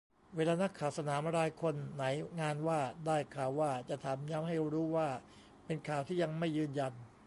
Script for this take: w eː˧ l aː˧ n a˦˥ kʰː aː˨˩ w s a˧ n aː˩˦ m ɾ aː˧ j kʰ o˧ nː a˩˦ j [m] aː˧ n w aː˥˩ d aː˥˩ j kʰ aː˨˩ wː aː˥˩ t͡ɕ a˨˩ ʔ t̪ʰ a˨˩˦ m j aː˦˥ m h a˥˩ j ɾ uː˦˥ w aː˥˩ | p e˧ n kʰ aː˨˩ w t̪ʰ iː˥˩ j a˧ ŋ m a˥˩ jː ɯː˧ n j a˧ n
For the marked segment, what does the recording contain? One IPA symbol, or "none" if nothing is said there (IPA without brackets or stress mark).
ŋ